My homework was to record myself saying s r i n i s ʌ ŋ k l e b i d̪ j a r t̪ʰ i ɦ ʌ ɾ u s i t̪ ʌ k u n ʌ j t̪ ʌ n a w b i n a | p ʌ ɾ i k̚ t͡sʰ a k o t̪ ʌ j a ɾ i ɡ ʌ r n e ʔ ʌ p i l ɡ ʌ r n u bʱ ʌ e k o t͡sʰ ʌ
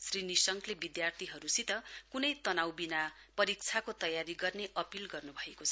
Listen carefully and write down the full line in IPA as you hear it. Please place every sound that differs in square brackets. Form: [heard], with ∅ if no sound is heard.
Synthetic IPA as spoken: s r i n i s ʌ ŋ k l e b i d̪ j a r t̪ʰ i ɦ ʌ ɾ u s i t̪ ʌ k u n ʌ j t̪ ʌ n a w b i n a | p ʌ ɾ i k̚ t͡sʰ a k o t̪ ʌ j a ɾ i ɡ ʌ r n e ʔ ʌ p i l ɡ ʌ r n u bʱ ʌ e k o t͡sʰ ʌ